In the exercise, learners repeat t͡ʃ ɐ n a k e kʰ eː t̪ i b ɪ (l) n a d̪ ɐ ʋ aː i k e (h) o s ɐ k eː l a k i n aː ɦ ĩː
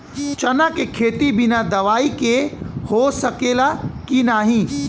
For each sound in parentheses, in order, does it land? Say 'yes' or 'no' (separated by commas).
no, yes